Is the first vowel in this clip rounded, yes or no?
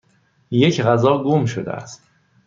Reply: no